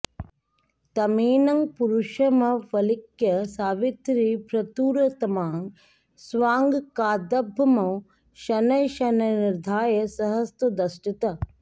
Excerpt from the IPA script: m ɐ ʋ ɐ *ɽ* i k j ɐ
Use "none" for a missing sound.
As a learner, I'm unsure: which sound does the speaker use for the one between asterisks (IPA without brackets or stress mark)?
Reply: l